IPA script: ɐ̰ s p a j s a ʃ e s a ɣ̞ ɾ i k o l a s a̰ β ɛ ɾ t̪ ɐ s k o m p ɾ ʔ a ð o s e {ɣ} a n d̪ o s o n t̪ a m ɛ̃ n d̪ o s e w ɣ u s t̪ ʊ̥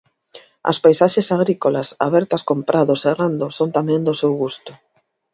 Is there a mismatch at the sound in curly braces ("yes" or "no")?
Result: no